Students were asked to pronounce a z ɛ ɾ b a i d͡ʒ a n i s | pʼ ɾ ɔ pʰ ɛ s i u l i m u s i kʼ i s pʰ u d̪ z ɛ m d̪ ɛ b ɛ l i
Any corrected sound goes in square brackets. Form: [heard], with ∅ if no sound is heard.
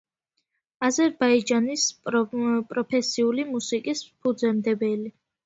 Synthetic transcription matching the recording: a z ɛ ɾ b a i d͡ʒ a n i s | pʼ ɾ ɔ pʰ ɛ s i u l i m u s i kʼ i s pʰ u d̪ z ɛ m d̪ ɛ b ɛ l i